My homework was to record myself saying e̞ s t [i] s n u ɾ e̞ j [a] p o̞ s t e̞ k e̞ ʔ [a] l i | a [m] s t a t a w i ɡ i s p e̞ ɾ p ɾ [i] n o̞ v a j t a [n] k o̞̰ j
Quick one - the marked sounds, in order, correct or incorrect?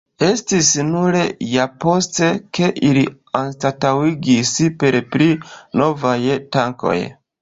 correct, correct, incorrect, incorrect, correct, incorrect

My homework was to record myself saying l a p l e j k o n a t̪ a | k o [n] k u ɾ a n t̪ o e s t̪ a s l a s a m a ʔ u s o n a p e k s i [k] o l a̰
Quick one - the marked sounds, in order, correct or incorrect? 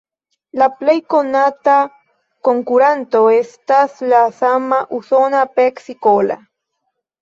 incorrect, correct

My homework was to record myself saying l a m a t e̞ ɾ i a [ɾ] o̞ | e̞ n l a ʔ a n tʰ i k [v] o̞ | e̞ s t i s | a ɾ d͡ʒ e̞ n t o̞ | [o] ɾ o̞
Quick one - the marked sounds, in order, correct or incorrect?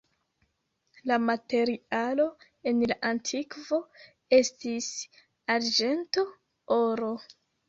incorrect, correct, correct

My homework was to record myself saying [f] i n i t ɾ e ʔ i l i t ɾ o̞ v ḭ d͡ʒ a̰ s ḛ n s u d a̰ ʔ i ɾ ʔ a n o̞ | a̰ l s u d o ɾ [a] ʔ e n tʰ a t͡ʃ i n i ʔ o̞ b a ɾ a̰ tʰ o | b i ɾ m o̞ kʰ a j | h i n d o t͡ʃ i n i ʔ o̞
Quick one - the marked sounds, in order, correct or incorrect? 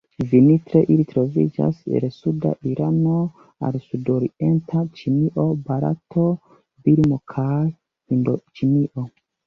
incorrect, incorrect

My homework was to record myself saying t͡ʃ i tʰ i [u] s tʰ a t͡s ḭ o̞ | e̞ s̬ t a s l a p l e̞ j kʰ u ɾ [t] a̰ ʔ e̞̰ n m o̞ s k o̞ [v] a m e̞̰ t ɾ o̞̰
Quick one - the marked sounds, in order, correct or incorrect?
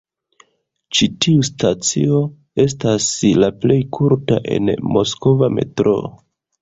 correct, correct, correct

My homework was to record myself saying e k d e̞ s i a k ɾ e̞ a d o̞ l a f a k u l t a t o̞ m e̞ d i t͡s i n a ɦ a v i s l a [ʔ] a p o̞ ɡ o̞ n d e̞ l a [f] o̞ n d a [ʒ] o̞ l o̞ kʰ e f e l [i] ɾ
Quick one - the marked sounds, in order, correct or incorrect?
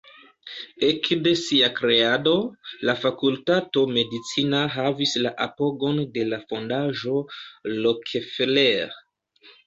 correct, correct, correct, incorrect

